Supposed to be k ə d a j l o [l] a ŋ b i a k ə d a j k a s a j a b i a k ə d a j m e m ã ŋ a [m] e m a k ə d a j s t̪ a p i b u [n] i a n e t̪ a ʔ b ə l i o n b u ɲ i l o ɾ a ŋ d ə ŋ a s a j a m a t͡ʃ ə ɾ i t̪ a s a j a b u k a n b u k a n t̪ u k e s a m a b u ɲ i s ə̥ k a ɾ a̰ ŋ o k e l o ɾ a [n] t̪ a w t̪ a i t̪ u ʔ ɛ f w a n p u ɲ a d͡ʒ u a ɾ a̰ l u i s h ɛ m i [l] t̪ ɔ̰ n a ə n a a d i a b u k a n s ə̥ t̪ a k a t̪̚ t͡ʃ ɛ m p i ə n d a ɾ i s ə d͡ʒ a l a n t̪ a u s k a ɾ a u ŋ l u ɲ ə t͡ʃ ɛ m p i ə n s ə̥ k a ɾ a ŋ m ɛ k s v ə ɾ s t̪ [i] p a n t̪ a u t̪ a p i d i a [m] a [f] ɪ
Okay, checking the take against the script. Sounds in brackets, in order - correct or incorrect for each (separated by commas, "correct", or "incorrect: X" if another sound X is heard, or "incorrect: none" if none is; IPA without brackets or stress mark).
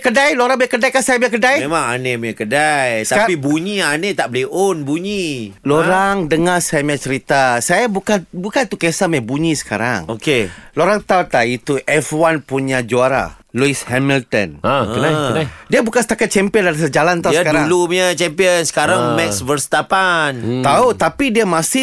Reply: incorrect: ɾ, incorrect: n, incorrect: ɲ, incorrect: ŋ, correct, incorrect: a, correct, incorrect: s